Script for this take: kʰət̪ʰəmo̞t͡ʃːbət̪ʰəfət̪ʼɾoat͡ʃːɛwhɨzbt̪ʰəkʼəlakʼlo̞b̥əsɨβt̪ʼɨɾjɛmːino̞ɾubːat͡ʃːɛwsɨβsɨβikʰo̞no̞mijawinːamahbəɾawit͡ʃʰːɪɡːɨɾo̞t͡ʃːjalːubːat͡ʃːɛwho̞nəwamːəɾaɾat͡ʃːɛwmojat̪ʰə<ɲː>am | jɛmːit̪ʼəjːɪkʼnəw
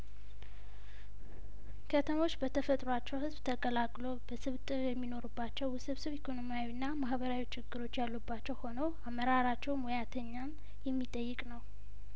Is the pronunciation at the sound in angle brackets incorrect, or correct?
correct